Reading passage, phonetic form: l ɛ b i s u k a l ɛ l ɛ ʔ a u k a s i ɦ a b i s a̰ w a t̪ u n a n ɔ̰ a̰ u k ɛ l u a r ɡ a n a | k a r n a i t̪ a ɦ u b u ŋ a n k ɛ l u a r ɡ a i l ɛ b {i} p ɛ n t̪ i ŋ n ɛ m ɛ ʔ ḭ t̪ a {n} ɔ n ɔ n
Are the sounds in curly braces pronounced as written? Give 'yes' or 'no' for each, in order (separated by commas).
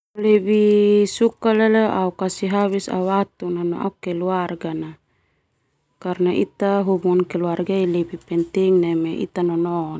yes, yes